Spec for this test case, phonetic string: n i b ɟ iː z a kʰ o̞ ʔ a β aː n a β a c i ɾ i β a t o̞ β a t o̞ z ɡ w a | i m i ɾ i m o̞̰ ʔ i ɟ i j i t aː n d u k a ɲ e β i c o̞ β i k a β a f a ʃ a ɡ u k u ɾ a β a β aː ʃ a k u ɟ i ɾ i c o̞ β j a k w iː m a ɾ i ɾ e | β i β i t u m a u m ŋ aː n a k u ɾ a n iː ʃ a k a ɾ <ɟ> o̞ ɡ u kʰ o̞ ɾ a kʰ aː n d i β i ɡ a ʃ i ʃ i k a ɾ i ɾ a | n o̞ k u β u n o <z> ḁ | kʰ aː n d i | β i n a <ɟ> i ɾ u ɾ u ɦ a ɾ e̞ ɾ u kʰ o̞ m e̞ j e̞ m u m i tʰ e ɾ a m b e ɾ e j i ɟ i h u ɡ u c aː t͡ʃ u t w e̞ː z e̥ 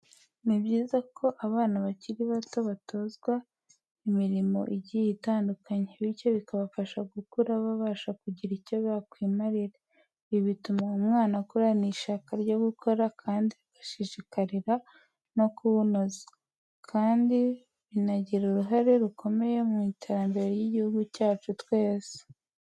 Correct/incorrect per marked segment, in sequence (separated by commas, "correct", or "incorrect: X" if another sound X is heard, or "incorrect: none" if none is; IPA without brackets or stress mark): correct, correct, correct